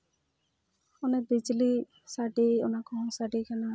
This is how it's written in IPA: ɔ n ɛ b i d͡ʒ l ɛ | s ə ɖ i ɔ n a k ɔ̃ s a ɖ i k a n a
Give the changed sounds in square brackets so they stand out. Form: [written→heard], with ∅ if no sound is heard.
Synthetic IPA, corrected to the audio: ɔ n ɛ b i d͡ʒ l [ɛ→i] | s [ə→a] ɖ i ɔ n a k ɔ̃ s a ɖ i k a n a